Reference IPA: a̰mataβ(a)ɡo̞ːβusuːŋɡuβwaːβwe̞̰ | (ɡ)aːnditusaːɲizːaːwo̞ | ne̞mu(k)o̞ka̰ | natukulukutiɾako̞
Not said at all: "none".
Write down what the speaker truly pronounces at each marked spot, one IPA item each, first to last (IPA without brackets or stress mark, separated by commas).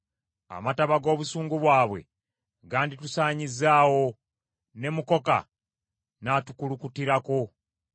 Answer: a, ɡ, k